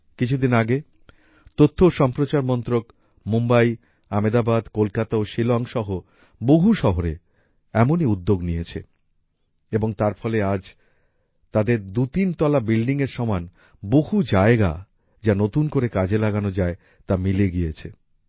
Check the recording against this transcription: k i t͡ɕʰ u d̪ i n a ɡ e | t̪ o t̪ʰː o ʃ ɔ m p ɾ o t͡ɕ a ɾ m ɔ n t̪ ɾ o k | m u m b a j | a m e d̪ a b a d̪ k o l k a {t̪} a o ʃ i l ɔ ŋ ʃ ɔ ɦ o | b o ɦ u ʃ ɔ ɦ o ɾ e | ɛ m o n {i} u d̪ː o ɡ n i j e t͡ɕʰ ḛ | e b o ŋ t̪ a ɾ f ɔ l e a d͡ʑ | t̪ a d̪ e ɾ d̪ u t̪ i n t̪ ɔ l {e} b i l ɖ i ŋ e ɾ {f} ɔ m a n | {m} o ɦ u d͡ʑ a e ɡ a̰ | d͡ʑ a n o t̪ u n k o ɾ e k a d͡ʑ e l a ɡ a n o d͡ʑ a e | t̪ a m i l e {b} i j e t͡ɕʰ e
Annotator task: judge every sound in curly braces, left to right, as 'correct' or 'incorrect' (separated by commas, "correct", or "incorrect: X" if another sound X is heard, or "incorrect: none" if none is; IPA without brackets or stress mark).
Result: correct, correct, incorrect: a, incorrect: ʃ, incorrect: b, incorrect: ɡ